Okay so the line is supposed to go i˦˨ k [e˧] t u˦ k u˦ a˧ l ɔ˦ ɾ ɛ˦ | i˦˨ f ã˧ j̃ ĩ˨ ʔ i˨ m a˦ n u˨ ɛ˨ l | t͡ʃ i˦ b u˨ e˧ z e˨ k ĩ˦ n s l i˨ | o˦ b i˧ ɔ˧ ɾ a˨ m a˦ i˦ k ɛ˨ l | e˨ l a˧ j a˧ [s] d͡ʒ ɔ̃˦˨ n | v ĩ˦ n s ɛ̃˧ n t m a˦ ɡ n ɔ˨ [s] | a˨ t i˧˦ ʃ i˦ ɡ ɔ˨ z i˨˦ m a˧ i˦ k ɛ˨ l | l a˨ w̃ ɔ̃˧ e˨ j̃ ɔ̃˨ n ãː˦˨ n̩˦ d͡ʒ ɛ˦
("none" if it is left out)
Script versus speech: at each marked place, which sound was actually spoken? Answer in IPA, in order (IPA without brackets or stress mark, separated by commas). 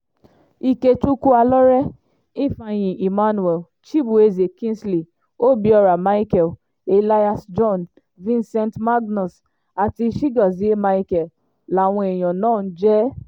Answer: e˧, s, s